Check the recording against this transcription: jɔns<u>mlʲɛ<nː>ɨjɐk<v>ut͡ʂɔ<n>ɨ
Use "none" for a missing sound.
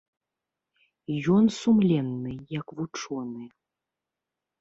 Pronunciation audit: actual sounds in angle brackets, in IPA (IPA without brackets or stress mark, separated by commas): u, nː, v, n